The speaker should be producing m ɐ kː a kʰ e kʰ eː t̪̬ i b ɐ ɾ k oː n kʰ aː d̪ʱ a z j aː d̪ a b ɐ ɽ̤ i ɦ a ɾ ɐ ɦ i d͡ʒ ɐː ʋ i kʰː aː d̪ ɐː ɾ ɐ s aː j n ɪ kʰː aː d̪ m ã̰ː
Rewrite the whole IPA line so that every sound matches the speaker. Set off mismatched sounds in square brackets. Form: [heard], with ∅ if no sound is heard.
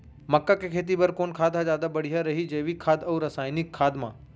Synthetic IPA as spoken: m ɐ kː a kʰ e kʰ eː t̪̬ i b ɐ ɾ k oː n kʰ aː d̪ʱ a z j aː d̪ a b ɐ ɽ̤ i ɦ a ɾ ɐ ɦ i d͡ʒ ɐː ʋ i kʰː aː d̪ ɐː ɾ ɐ s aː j n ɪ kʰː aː d̪ m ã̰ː